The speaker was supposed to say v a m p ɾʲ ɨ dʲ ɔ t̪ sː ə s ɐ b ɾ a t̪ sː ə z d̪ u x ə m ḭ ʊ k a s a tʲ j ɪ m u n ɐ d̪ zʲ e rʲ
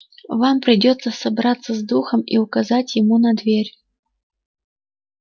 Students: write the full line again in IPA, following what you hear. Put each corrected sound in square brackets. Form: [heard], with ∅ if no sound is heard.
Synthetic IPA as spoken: v a m p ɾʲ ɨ dʲ ɔ t̪ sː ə s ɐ b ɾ a t̪ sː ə z d̪ u x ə m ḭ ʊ k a [z] a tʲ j ɪ m u n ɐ d̪ [vʲ] e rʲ